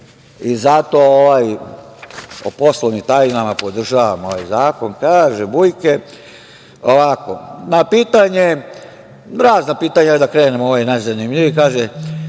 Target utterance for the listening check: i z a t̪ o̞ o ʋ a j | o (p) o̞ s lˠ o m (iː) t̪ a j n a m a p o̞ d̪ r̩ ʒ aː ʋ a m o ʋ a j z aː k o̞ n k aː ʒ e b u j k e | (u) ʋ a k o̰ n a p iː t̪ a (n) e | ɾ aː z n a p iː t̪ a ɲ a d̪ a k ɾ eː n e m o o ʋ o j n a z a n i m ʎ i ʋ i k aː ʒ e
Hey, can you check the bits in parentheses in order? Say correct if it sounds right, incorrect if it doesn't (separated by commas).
correct, incorrect, incorrect, incorrect